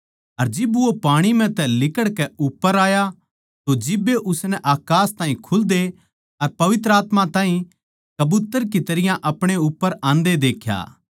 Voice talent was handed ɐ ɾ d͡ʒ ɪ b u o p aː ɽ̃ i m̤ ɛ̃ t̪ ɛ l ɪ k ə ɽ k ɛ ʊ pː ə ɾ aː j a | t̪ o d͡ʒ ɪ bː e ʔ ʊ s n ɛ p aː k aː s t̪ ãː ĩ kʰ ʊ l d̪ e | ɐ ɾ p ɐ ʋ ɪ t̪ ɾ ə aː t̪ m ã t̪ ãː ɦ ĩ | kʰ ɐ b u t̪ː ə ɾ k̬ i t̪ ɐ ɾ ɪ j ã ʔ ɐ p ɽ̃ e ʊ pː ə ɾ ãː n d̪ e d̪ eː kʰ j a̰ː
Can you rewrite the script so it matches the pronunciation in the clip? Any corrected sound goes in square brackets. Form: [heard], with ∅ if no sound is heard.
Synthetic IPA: ɐ ɾ d͡ʒ ɪ b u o p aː ɽ̃ i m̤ ɛ̃ t̪ ɛ l ɪ k ə ɽ k ɛ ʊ pː ə ɾ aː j a | t̪ o d͡ʒ ɪ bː e ʔ ʊ s n ɛ [ʔ] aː k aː s t̪ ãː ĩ kʰ ʊ l d̪ e | ɐ ɾ p ɐ ʋ ɪ t̪ ɾ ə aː t̪ m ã t̪ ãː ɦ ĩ | [k] ɐ b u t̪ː ə ɾ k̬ i t̪ ɐ ɾ ɪ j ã ʔ ɐ p ɽ̃ e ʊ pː ə ɾ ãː n d̪ e d̪ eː kʰ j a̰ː